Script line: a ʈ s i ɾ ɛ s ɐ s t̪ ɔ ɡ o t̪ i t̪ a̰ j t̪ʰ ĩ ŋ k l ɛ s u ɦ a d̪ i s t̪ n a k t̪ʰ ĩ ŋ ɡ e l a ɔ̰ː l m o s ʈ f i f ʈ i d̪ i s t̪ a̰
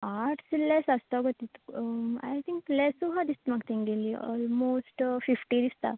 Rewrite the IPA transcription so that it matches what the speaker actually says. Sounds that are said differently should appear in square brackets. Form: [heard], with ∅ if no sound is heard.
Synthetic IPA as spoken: a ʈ s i [l] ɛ s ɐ s t̪ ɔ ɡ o t̪ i t̪ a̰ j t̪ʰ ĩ ŋ k l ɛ s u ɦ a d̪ i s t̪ [m] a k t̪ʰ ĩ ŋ ɡ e l [i] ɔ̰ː l m o s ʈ f i f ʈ i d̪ i s t̪ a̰